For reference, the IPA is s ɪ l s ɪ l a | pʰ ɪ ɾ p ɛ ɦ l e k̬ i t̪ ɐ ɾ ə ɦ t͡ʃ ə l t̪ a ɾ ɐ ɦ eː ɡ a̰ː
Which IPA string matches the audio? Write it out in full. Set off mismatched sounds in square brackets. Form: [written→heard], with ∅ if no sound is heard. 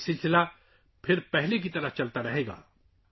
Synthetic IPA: s ɪ l s ɪ l a | pʰ ɪ ɾ p ɛ ɦ l e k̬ i t̪ ɐ ɾ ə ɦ t͡ʃ [ə→ɐ] l t̪ a ɾ ɐ ɦ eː ɡ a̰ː